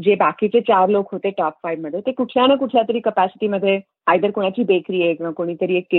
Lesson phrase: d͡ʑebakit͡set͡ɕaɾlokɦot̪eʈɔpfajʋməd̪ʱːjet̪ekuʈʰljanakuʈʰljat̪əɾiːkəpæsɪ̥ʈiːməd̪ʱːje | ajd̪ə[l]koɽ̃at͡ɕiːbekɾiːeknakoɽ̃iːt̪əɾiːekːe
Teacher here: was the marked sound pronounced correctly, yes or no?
no